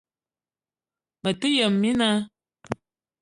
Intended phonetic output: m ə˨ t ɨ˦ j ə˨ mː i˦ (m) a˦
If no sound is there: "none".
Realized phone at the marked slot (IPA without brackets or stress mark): n